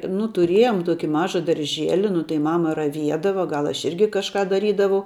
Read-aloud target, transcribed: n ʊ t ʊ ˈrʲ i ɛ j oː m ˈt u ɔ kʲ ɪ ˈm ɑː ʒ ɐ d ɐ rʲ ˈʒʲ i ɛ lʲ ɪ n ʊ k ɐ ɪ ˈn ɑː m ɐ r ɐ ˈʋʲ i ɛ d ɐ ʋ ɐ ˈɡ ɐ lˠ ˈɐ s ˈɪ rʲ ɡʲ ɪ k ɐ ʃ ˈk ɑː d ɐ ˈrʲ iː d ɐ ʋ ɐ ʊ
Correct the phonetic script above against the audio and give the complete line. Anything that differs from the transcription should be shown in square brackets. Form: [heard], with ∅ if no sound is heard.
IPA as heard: n ʊ t ʊ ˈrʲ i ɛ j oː m ˈt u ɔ kʲ ɪ ˈm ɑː ʒ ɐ d ɐ rʲ ˈʒʲ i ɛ lʲ ɪ n ʊ [t] ɐ ɪ [ˈm] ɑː m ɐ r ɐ ˈʋʲ i ɛ d ɐ ʋ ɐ ˈɡ ɐ lˠ ˈɐ [ʃ] ˈɪ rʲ ɡʲ ɪ k ɐ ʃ ˈk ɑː d ɐ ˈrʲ iː d ɐ ʋ ɐ ʊ

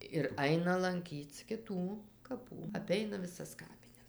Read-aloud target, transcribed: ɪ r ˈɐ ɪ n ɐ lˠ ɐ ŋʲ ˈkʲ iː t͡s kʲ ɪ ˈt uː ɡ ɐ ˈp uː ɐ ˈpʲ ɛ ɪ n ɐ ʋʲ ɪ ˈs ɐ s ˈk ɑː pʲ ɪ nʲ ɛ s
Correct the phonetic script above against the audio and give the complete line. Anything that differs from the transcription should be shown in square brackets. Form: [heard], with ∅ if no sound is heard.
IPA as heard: ɪ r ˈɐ ɪ n ɐ lˠ ɐ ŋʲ ˈkʲ iː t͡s kʲ ɪ ˈt uː [k] ɐ ˈp uː ɐ ˈpʲ ɛ ɪ n ɐ ʋʲ ɪ ˈs ɐ s ˈk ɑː pʲ ɪ nʲ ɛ s

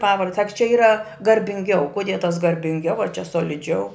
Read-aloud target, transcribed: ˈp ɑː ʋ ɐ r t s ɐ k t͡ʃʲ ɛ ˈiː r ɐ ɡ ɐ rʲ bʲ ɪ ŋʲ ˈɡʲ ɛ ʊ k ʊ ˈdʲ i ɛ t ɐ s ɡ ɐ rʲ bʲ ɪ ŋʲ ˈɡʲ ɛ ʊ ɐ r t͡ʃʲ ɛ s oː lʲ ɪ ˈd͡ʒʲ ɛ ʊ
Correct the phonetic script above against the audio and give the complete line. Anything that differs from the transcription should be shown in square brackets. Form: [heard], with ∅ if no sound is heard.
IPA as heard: ˈp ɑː ʋ ɐ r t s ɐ k t͡ʃʲ ɛ ˈiː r ɐ ɡ ɐ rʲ bʲ ɪ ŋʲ ˈɡʲ ɛ ʊ k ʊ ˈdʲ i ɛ t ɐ s ɡ ɐ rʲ bʲ ɪ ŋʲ ˈɡʲ ɛ ʊ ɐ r t͡ʃʲ ɛ s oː lʲ ɪ ˈd͡ʒʲ ɛ ʊ

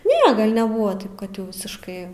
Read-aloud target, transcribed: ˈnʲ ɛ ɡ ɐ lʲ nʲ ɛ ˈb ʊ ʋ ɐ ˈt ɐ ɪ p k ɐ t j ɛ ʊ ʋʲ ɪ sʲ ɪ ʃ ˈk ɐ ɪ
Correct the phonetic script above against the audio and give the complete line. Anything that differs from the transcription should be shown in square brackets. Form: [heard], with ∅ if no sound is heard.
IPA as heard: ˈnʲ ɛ ɡ ɐ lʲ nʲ ɛ ˈb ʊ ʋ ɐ ˈt ɐ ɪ p k ɐ t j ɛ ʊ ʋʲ ɪ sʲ ɪ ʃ ˈk ɐ ɪ

